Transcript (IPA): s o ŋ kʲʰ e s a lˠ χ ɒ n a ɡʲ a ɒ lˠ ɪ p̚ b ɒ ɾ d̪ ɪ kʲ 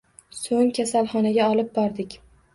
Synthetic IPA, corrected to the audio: s o ŋ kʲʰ a s a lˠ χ ɒ n a ɡʲ a ɒ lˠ ɪ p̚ b ɒ ɾ d̪ ɪ kʲ